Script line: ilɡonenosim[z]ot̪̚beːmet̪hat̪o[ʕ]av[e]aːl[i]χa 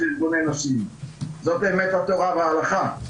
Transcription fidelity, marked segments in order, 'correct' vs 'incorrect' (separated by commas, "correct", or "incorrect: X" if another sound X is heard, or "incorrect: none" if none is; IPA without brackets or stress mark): correct, incorrect: ʁ, correct, incorrect: a